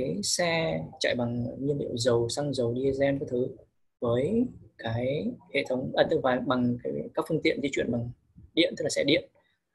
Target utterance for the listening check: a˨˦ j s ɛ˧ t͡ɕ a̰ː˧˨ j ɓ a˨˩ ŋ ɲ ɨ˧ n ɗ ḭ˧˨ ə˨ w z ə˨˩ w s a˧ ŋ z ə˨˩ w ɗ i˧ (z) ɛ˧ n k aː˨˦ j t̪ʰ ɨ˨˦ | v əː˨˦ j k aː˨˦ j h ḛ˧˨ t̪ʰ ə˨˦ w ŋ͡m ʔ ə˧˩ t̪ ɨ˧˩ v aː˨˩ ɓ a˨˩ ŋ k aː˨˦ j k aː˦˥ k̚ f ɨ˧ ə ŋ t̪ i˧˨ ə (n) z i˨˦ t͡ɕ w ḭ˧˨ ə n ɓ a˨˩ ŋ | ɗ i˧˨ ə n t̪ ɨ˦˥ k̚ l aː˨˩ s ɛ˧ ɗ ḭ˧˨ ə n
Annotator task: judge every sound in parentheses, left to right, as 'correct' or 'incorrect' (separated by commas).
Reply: correct, correct